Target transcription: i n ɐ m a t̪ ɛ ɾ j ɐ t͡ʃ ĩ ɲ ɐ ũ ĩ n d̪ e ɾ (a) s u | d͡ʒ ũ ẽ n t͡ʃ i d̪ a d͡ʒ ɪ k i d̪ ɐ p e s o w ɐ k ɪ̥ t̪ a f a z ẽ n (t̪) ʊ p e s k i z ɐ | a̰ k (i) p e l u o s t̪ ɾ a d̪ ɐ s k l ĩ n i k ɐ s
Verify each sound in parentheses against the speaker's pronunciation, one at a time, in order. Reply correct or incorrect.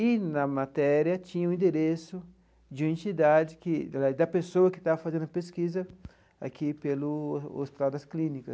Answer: incorrect, incorrect, correct

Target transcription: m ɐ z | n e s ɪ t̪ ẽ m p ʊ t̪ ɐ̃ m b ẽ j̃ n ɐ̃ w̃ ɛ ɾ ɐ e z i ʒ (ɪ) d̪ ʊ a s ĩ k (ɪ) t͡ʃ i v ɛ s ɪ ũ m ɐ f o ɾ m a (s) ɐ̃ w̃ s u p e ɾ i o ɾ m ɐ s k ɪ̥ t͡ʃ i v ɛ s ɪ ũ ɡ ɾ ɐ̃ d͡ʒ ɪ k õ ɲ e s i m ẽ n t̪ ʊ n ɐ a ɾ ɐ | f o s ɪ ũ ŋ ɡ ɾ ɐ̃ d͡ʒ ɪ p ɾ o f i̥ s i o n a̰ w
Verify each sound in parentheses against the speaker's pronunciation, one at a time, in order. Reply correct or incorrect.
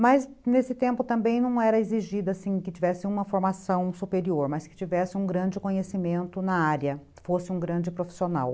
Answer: incorrect, correct, correct

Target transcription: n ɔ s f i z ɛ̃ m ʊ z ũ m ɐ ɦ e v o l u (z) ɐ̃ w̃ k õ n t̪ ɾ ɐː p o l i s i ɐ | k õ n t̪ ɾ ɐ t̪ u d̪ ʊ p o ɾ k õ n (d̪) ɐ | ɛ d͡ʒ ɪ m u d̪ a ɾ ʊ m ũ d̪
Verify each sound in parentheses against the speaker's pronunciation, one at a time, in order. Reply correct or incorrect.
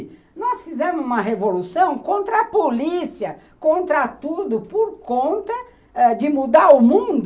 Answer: incorrect, incorrect

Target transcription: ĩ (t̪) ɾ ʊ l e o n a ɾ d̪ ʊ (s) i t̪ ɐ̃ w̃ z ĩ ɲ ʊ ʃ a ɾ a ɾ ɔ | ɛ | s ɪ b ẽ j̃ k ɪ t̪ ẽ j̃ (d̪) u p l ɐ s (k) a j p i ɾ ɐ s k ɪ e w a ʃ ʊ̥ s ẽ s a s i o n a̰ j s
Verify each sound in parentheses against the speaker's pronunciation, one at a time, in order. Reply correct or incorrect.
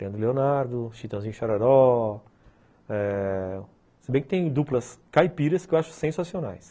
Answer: incorrect, incorrect, correct, correct

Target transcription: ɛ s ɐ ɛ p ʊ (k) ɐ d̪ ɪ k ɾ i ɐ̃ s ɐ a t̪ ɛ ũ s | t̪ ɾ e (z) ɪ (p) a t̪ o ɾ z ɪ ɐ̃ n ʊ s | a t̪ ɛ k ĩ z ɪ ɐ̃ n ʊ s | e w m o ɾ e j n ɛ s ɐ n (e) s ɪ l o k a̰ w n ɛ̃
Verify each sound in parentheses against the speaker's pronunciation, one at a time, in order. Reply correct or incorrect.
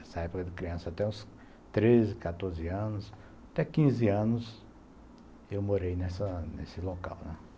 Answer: correct, correct, incorrect, correct

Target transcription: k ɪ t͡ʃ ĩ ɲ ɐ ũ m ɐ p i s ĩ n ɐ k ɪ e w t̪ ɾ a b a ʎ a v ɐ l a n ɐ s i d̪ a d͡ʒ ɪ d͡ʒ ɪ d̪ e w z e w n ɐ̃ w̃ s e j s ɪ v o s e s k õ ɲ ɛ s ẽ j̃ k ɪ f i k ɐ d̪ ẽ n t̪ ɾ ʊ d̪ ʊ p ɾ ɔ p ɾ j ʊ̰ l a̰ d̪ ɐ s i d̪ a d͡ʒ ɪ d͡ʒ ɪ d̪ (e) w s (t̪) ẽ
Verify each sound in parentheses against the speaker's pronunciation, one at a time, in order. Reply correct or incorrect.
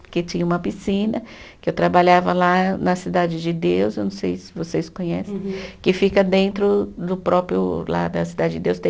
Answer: correct, correct

